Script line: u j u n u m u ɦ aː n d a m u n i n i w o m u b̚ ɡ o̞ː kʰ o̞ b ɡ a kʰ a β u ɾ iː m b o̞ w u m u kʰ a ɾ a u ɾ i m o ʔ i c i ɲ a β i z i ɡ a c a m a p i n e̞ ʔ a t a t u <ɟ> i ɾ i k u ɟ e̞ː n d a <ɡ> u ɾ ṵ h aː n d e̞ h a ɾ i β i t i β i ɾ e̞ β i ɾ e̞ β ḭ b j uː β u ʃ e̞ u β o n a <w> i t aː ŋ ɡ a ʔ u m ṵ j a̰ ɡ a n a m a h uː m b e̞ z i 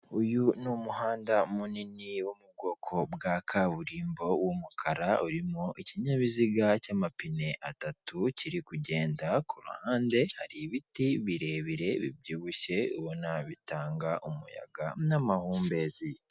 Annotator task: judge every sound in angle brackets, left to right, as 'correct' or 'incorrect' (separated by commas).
incorrect, incorrect, incorrect